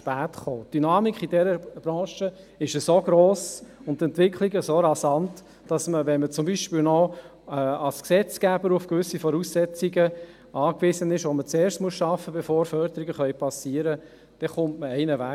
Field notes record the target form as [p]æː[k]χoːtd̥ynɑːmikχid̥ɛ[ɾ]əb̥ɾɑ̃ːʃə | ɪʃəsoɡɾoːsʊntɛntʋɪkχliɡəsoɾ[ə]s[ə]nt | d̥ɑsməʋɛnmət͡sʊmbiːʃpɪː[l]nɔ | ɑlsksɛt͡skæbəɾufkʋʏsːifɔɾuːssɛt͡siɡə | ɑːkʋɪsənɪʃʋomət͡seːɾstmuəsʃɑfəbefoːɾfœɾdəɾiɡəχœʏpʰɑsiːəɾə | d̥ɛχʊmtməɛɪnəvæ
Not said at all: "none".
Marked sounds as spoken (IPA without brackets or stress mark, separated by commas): p, t, ɾ, ɑ, ɑ, l